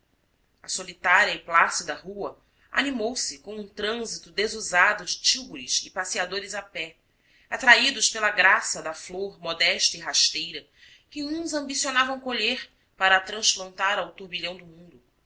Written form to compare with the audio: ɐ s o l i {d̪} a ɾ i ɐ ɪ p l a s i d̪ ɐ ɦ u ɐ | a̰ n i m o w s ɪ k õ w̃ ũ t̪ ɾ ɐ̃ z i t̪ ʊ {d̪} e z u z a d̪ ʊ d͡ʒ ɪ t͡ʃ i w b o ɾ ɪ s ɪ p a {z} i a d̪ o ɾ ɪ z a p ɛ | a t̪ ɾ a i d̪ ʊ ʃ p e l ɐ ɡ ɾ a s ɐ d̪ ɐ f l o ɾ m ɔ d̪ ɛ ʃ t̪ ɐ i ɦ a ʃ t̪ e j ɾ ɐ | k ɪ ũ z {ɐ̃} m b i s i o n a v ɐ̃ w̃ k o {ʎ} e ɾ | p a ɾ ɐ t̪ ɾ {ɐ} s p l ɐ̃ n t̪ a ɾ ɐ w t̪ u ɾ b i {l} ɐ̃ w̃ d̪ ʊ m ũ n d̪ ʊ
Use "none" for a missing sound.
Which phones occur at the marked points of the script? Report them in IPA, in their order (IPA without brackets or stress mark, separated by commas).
t̪, d̪, s, ɐ̃, ʎ, ɐ̃, ʎ